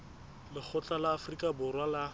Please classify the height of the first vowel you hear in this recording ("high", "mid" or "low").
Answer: high